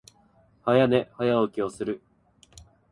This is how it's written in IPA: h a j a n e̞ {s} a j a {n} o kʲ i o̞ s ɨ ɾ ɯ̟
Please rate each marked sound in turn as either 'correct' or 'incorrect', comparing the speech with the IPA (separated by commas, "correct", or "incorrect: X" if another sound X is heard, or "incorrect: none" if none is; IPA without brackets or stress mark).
incorrect: h, incorrect: none